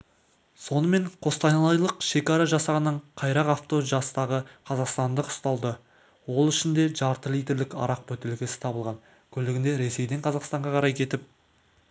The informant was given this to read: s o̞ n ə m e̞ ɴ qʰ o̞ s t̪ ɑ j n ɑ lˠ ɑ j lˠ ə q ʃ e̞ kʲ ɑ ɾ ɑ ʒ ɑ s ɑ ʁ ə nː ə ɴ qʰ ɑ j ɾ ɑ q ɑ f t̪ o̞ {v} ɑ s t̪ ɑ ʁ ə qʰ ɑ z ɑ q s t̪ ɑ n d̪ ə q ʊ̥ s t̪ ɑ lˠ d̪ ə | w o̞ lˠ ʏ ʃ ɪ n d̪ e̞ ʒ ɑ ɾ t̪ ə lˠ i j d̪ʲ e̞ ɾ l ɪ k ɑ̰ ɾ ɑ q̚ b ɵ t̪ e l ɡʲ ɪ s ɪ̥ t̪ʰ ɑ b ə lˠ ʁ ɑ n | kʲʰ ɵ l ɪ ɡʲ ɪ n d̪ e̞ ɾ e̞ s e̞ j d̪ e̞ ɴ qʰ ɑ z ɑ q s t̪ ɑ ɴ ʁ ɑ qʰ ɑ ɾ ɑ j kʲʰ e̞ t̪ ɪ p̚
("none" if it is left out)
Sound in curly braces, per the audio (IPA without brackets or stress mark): ʒ